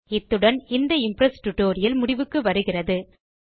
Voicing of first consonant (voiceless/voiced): voiceless